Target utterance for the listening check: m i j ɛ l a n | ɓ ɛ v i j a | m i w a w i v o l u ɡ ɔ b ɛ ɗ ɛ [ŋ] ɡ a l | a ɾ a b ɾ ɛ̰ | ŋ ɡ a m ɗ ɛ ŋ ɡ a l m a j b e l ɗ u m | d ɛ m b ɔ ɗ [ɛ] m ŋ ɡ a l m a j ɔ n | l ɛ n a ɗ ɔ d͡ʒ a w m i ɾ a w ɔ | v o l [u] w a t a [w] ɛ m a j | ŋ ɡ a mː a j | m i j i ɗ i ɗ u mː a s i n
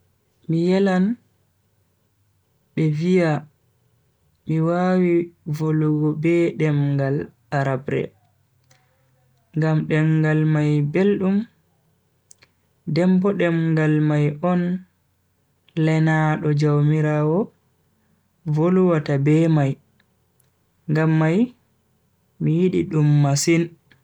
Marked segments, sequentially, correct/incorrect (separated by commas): incorrect, correct, correct, incorrect